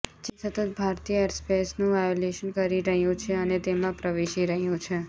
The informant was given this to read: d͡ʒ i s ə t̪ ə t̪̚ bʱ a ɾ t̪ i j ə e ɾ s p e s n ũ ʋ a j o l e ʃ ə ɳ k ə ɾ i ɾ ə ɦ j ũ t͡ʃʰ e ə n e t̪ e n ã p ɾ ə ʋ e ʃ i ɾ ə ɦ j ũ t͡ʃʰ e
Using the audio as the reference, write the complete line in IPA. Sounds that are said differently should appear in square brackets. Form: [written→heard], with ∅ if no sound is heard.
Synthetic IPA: d͡ʒ [i→e] s ə t̪ ə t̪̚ bʱ a ɾ t̪ i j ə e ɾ s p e s n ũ ʋ a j o l e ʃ ə [ɳ→n] k ə ɾ i ɾ ə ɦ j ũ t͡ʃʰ e ə n e t̪ e [n→m] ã p ɾ ə ʋ e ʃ i ɾ ə ɦ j ũ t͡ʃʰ e